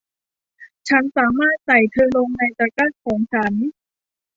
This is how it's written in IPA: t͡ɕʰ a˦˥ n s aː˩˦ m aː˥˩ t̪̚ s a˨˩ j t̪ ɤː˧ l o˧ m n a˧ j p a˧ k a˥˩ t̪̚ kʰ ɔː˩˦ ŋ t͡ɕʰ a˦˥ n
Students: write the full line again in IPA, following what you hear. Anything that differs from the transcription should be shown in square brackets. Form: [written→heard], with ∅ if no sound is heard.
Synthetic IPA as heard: t͡ɕʰ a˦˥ n s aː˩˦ m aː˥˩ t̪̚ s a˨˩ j [t̪→t̪ʰ] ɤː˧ l o˧ [m→ŋ] n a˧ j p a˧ k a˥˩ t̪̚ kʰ ɔː˩˦ ŋ t͡ɕʰ a˦˥ n